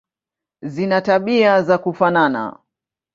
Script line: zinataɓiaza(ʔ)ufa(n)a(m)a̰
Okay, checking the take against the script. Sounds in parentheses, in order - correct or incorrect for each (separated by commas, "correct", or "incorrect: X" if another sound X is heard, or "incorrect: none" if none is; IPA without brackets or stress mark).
incorrect: k, correct, incorrect: n